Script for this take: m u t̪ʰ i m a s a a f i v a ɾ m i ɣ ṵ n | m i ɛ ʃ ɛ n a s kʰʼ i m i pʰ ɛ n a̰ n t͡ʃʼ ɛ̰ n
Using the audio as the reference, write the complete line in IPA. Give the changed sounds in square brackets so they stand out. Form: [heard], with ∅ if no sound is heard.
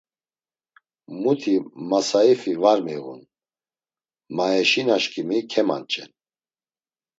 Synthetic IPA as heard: m u t̪ʰ i m a s a [i] f i v a ɾ m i ɣ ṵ n | m [a] ɛ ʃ [i] n a [ʃ] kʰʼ i m i [kʰ] ɛ [m] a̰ n t͡ʃʼ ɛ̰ n